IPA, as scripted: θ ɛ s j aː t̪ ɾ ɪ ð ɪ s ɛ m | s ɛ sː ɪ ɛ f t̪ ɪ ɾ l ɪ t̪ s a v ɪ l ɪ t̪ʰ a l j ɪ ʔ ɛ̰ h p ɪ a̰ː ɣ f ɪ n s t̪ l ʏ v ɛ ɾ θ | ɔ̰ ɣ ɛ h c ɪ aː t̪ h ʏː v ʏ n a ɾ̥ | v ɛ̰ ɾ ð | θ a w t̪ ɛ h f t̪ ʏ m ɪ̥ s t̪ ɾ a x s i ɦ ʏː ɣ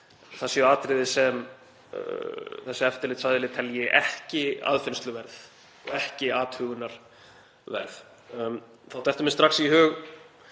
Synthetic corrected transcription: θ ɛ s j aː t̪ ɾ ɪ ð ɪ s ɛ m | θ ɛ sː ɪ ɛ f t̪ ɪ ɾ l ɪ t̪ s a ð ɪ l ɪ t̪ʰ ɛ l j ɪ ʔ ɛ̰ h c ɪ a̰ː ð f ɪ n s t̪ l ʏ v ɛ ɾ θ | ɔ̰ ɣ ɛ h c ɪ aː t̪ h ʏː ɣ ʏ n a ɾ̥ | v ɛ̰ ɾ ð | θ a w t̪ ɛ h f t̪ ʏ m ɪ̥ s t̪ ɾ a x s i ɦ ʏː ɣ